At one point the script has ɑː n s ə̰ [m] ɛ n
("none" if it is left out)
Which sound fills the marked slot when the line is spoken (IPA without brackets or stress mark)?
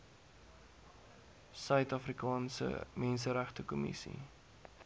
m